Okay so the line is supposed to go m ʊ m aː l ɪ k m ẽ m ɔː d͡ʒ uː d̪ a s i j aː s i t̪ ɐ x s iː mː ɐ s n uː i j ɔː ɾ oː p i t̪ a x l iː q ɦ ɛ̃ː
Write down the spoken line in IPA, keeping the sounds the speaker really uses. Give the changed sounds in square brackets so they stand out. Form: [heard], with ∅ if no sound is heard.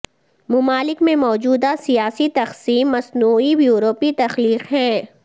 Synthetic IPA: m ʊ m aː l ɪ k m ẽ m ɔː d͡ʒ uː d̪ a s i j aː s i t̪ ɐ x s iː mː ɐ s n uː i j [uː] ɾ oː p i t̪ [ɐ] x l iː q ɦ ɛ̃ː